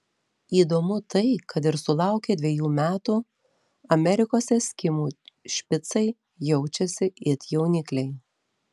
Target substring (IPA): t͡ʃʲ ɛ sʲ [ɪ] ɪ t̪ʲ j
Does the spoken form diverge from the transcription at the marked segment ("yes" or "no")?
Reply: no